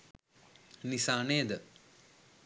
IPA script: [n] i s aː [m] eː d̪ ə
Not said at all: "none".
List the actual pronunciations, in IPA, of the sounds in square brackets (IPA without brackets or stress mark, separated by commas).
n, n